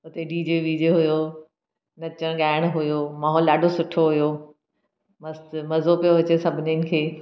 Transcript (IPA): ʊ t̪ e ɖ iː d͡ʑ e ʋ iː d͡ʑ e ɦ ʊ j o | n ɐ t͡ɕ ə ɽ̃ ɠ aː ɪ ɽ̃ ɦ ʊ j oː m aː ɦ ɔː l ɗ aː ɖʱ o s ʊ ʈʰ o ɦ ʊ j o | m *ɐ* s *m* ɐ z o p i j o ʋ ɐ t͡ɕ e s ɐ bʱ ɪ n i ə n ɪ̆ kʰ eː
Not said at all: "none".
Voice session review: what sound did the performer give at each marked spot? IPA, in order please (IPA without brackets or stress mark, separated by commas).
ɐ, m